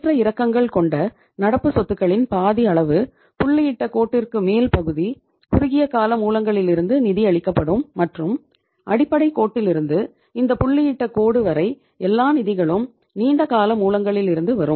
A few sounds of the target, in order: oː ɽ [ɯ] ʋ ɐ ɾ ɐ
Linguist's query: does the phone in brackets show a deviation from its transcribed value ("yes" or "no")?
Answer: no